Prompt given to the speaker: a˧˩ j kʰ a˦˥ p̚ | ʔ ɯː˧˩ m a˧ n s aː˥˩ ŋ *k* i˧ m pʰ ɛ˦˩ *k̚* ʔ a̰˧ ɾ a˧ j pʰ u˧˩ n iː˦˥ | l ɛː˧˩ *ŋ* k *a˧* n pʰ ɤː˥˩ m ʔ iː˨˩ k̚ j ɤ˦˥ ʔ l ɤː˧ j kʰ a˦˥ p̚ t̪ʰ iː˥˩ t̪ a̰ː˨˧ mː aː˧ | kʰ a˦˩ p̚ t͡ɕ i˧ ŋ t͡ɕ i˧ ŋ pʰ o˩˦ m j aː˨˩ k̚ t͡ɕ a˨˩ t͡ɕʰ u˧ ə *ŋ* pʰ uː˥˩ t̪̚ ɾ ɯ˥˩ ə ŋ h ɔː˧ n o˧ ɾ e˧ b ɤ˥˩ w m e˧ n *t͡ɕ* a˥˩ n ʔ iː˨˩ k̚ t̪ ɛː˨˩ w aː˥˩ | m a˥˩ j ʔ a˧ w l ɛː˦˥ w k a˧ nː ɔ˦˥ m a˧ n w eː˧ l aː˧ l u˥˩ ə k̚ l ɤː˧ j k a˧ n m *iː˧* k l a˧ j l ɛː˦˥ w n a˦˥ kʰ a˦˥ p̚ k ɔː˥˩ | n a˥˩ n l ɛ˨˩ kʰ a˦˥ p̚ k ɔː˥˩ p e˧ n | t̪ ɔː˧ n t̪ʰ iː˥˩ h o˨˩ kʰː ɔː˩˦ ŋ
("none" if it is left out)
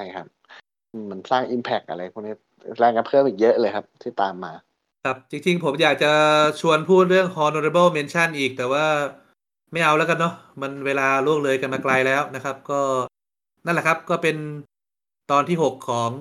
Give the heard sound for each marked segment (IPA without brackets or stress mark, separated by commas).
ʔ, k̚, ŋ, a˧, n, t͡ɕʰ, aː˧